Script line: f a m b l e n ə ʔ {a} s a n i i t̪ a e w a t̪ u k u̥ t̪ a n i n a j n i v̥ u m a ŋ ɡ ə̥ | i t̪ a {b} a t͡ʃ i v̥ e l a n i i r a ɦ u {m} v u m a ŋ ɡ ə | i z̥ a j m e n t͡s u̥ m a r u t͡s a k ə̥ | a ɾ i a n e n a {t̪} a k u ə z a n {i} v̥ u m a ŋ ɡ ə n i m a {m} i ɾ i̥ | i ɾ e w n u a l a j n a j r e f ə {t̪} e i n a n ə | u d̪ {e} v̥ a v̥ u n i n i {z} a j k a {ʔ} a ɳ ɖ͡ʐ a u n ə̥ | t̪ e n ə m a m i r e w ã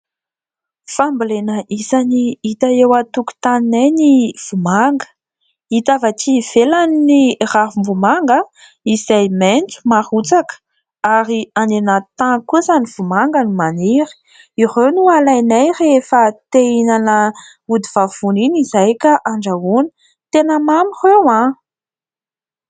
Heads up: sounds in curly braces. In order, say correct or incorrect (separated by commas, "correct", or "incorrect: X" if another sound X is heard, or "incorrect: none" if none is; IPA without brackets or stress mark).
incorrect: i, incorrect: v, correct, correct, correct, incorrect: n, correct, incorrect: i, correct, correct